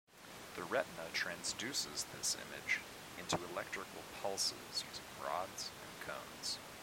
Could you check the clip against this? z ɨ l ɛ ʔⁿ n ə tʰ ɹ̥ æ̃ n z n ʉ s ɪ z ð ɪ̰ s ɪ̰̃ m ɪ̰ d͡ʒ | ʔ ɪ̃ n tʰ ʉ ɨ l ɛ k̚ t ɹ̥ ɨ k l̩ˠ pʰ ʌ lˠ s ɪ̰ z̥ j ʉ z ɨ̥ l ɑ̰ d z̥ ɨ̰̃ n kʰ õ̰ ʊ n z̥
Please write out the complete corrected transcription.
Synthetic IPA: ð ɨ ɹ ɛ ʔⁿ n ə tʰ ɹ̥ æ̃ n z d ʉ s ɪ z ð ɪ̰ s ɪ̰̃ m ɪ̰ d͡ʒ | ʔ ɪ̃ n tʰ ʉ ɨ l ɛ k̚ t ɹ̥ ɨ k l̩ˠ pʰ ʌ lˠ s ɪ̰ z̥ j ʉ z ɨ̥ ɹ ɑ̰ d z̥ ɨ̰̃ n kʰ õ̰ ʊ̃ n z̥